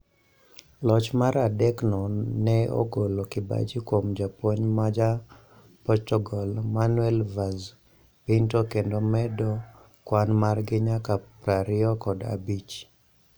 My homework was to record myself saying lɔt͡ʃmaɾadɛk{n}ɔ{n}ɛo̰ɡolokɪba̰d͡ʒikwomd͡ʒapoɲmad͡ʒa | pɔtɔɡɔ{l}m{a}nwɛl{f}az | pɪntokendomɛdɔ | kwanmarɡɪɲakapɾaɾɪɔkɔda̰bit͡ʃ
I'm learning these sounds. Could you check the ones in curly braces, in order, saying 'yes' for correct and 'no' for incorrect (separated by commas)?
yes, yes, yes, yes, no